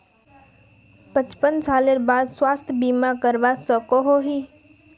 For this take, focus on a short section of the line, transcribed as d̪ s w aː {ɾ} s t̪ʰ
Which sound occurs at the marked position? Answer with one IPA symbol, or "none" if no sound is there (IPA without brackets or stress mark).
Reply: none